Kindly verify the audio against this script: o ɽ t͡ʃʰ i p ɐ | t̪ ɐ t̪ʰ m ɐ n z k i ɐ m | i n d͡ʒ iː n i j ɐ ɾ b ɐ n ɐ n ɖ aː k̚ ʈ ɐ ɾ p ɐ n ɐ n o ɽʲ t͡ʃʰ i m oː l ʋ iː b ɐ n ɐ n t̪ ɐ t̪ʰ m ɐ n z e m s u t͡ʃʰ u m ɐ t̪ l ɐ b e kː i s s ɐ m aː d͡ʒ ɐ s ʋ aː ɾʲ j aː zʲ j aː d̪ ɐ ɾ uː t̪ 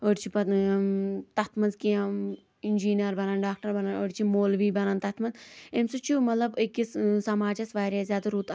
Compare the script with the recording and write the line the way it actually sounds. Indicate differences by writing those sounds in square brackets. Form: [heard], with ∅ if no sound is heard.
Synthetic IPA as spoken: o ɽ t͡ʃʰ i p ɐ | t̪ ɐ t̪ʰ m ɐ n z k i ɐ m | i n d͡ʒ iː n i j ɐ ɾ b ɐ n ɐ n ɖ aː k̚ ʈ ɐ ɾ [b] ɐ n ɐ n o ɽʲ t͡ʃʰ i m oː l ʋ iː b ɐ n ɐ n t̪ ɐ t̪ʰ m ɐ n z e m s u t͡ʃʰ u m ɐ t̪ l ɐ b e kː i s s ɐ m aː d͡ʒ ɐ s ʋ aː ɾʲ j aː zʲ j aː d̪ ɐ ɾ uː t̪